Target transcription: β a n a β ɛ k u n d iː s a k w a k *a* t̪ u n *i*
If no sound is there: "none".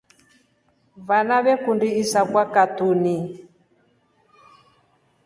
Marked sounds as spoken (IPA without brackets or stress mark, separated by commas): a, i